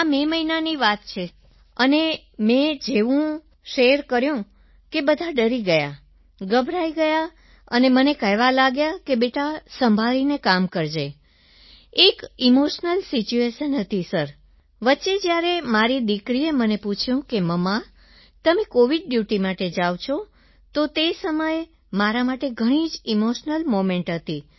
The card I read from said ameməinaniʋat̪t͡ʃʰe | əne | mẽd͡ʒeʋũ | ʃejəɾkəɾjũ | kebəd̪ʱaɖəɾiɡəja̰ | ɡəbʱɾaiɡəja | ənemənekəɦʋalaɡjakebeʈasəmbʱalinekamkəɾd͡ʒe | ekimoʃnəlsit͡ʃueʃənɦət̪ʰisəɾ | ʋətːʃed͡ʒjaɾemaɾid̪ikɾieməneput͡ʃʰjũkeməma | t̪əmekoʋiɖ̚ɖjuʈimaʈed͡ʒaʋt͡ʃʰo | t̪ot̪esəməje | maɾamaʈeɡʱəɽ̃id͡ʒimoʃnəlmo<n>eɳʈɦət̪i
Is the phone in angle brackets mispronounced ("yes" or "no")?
yes